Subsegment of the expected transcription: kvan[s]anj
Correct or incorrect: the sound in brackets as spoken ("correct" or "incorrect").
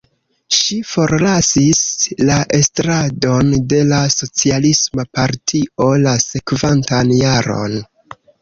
incorrect